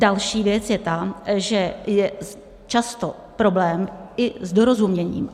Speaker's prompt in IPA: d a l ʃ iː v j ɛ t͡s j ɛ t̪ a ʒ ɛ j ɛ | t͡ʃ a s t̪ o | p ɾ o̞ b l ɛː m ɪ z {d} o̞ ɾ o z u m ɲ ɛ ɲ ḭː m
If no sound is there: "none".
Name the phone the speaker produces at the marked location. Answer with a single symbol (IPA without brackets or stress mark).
d